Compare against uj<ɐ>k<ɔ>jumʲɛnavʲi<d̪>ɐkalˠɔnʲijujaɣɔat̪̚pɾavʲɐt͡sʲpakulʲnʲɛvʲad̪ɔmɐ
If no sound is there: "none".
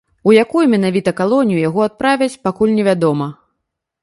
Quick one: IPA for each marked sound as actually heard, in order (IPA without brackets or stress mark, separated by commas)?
a, u, t̪